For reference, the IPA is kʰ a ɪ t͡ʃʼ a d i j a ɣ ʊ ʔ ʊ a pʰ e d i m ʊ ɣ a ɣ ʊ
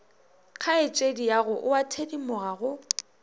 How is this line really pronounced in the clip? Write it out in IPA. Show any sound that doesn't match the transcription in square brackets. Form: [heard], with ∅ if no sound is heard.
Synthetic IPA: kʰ a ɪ t͡ʃʼ [e] d i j a ɣ ʊ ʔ ʊ a [tʰ] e d i m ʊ ɣ a ɣ ʊ